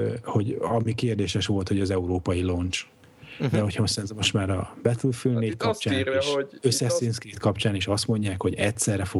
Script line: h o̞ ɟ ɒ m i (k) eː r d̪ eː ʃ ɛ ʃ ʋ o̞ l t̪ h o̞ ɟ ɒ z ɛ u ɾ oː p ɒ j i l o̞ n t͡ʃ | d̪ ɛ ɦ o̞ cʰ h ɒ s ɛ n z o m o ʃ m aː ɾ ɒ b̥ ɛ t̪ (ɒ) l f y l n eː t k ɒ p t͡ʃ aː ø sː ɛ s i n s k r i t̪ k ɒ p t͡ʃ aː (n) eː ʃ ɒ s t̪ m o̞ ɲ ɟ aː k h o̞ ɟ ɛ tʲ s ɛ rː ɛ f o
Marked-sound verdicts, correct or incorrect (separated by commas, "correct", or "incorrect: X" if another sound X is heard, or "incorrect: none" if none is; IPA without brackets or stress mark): correct, incorrect: u, correct